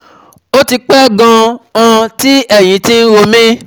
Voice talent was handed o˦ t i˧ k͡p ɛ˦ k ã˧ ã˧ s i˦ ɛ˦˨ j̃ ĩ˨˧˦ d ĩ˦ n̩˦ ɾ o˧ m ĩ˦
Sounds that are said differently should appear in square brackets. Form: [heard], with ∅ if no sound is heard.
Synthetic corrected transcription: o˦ t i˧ k͡p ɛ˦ [ɡ] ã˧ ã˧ [t] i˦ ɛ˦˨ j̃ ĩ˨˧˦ [t] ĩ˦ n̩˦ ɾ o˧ m ĩ˦